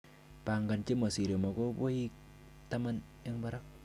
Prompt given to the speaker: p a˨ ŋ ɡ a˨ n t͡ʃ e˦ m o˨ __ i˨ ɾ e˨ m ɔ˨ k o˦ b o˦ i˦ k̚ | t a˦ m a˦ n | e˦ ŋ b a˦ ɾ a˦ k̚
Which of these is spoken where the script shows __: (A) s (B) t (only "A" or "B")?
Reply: A